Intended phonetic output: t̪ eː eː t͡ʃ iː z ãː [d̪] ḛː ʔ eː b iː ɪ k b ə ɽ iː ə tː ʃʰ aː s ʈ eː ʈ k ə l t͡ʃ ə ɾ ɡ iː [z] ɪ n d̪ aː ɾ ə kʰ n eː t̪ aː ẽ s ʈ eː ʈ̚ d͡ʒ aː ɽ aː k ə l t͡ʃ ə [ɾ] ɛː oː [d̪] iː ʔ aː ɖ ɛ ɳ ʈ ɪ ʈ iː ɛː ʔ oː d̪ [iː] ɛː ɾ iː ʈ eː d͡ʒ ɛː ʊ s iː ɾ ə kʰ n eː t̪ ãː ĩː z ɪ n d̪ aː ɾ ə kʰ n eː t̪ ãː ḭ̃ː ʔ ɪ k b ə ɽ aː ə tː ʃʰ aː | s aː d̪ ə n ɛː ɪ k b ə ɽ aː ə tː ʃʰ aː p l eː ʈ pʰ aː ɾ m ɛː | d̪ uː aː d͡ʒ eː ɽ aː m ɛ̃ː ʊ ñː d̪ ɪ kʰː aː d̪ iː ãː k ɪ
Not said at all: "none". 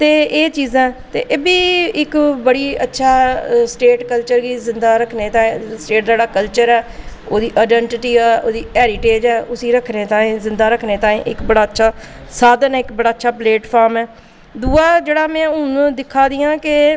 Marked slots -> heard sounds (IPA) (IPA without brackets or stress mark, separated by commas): t̪, z, ɾ, d̪, iː